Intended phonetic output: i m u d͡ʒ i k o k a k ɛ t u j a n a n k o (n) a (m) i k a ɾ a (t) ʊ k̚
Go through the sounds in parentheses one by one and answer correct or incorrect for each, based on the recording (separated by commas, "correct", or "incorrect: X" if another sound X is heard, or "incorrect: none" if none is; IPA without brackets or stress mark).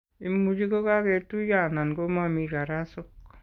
incorrect: m, correct, incorrect: s